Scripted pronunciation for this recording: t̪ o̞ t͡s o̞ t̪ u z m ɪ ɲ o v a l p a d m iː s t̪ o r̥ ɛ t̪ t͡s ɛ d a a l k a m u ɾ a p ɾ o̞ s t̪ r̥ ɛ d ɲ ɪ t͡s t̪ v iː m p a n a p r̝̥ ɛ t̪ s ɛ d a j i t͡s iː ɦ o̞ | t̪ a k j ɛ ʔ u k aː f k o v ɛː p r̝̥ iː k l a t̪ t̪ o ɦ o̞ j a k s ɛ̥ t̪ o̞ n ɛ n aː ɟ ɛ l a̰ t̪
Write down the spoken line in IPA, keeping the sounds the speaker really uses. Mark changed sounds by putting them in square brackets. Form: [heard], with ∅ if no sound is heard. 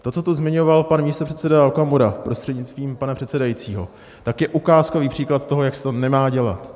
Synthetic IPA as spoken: t̪ o̞ t͡s o̞ t̪ u z m ɪ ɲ o v a l p a [n] m iː s t̪ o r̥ ɛ t̪ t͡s ɛ d a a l k a m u ɾ a p ɾ o̞ s t̪ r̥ ɛ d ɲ ɪ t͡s t̪ v iː m p a n a p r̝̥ ɛ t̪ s ɛ d a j i t͡s iː ɦ o̞ | t̪ a k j ɛ ʔ u k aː [s] k o v [iː] p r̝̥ iː k l a t̪ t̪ o ɦ o̞ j a k s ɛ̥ t̪ o̞ n ɛ [m] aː ɟ ɛ l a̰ t̪